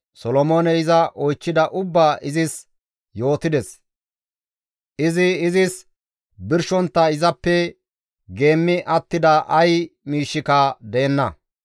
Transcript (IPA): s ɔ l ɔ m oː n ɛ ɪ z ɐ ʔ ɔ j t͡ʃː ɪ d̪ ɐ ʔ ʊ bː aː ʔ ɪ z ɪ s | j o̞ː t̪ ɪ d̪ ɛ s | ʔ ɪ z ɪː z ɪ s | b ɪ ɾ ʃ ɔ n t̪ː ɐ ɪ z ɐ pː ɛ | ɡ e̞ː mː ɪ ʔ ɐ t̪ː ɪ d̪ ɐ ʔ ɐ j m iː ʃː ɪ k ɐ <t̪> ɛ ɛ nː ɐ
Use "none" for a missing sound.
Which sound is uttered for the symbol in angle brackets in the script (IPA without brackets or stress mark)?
d̪